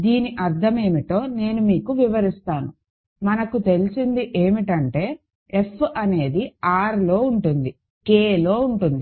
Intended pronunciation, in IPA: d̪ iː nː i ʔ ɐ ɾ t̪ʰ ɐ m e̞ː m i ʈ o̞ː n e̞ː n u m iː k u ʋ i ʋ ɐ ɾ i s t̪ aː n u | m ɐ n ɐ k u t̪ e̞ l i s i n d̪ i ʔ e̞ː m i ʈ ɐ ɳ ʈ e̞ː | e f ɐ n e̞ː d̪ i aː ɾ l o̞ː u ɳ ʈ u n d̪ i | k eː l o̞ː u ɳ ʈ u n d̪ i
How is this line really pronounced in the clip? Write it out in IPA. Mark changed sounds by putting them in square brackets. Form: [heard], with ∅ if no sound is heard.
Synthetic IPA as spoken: d̪ iː [n] i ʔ ɐ ɾ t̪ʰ ɐ m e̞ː m i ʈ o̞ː n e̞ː n u m iː k u ʋ i ʋ ɐ ɾ i s t̪ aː n u | m ɐ n ɐ k u t̪ e̞ l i s i n d̪ i ʔ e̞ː m i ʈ ɐ ɳ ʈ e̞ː | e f ɐ n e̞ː d̪ i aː ɾ l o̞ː u ɳ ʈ u n d̪ i | k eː l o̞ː u ɳ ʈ u n d̪ i